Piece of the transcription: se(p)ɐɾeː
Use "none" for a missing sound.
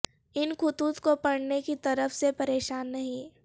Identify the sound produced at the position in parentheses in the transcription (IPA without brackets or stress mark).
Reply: p